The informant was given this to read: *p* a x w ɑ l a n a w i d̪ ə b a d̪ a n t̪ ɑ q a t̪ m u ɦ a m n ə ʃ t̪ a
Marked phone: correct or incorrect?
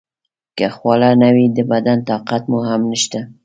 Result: incorrect